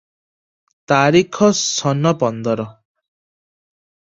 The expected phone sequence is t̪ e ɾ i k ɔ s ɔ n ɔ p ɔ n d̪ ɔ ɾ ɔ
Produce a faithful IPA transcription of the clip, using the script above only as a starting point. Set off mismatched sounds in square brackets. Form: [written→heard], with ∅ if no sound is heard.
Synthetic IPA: t̪ [e→a] ɾ i [k→kʰ] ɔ s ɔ n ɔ p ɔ n d̪ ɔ ɾ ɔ